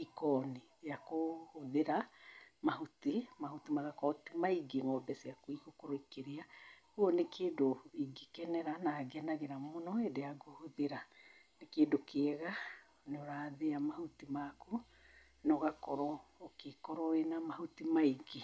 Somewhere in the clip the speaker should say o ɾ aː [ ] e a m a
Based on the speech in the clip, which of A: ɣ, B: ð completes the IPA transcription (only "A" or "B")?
B